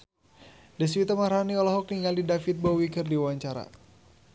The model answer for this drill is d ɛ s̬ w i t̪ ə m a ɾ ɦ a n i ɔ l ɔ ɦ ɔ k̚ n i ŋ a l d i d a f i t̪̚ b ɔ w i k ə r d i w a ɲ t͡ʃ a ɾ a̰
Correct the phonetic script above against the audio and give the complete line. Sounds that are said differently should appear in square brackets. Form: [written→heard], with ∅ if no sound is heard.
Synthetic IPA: d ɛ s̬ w i t̪ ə m a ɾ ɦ a n i ɔ l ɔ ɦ ɔ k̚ n i ŋ a l d i d a f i t̪̚ b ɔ w i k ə r d i w a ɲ t͡ʃ a ɾ a̰